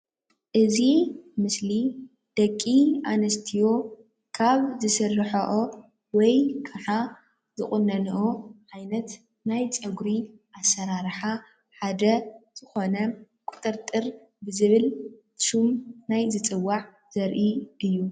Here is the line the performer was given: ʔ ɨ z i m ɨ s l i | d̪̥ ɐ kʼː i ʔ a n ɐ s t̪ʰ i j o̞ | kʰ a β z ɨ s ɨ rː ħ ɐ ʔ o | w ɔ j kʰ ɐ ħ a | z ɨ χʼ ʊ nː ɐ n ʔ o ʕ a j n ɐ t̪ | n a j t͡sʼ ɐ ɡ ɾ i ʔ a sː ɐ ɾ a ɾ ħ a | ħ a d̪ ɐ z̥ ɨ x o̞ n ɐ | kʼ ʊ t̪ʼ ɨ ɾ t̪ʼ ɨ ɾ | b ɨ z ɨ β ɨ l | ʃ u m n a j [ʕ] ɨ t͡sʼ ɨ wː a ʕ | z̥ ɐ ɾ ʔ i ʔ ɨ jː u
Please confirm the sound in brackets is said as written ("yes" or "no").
no